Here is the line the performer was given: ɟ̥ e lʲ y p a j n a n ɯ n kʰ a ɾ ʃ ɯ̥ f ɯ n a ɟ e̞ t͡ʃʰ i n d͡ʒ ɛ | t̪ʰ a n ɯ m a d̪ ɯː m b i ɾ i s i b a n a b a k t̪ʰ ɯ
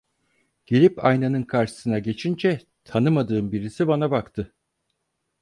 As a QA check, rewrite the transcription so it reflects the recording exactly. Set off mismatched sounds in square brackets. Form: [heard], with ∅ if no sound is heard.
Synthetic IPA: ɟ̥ e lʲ [i] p a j n a n ɯ n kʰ a ɾ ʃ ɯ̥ [s] ɯ n a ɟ e̞ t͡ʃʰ i n d͡ʒ ɛ | t̪ʰ a n ɯ m a d̪ ɯː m b i ɾ i s i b a n a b a k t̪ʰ ɯ